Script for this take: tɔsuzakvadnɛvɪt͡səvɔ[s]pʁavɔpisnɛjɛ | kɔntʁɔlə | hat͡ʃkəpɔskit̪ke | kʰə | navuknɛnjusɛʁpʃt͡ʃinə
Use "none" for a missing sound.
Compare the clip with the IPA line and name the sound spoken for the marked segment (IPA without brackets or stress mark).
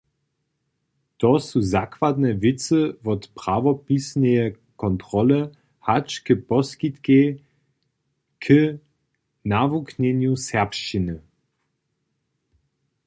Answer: t